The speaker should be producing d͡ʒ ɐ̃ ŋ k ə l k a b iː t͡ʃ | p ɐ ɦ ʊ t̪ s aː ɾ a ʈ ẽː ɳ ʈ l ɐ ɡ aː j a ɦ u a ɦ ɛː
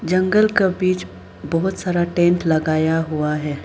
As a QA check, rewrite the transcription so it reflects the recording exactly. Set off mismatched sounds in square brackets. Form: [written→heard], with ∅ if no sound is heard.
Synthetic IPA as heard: d͡ʒ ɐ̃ ŋ [k→ɡ] ə l k a b iː t͡ʃ | [p→b] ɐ ɦ ʊ t̪ s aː ɾ a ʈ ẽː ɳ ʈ l ɐ ɡ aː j a ɦ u a ɦ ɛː